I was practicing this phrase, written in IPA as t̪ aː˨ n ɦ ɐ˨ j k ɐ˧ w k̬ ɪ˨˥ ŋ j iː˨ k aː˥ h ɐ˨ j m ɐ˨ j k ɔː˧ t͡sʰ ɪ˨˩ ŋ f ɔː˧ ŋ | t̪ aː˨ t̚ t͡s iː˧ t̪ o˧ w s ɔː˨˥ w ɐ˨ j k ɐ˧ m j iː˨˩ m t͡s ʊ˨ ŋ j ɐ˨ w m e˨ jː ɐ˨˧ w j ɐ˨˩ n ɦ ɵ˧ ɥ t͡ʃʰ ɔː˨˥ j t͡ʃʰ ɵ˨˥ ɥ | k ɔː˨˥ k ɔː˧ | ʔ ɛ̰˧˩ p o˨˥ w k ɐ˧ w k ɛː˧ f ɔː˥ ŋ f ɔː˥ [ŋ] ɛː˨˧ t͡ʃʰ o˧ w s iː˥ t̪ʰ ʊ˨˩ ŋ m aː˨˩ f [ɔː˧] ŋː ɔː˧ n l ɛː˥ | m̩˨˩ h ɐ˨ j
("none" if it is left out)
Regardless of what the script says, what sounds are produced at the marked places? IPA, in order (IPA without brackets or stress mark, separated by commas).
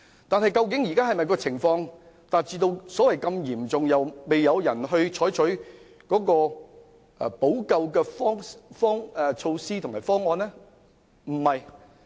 ŋ, ɔː˥